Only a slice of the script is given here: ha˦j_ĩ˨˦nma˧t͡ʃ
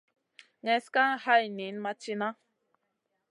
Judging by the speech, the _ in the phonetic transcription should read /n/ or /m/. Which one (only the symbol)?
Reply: n